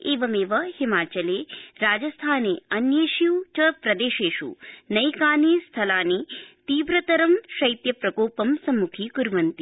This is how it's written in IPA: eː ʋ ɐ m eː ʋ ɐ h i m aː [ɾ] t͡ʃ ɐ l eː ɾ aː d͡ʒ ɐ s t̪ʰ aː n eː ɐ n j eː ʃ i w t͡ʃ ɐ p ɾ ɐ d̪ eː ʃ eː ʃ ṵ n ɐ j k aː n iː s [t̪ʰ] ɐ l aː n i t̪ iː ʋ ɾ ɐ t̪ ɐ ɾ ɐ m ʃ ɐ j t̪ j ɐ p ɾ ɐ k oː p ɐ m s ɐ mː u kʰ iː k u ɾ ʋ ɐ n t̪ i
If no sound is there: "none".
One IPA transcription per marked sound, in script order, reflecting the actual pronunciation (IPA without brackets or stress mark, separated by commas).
none, t̪ʰ